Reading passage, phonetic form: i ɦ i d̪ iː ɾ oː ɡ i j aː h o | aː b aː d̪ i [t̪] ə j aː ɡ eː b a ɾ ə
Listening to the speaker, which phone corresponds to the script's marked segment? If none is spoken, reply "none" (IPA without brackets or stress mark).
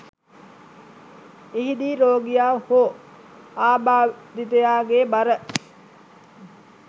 t̪